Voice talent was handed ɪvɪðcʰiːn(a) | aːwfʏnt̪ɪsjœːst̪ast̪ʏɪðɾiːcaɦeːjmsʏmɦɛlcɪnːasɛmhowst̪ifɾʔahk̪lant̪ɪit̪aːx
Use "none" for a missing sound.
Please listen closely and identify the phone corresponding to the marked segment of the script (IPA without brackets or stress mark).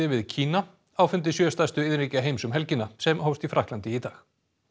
a